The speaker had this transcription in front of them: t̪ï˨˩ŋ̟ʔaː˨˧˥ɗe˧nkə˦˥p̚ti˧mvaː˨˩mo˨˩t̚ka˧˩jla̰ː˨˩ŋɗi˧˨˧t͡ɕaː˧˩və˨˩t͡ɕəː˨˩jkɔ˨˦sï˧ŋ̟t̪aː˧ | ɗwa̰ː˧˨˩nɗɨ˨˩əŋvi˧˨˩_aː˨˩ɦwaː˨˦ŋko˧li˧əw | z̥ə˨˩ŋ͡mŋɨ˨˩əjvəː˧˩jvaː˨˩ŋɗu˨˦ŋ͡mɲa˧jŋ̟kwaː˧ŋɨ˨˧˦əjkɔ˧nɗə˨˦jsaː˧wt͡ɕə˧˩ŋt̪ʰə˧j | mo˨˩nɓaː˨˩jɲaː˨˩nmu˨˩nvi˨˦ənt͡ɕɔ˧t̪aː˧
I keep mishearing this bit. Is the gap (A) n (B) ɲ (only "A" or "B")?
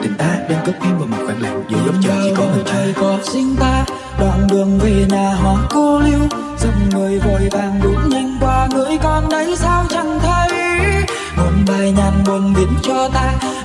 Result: A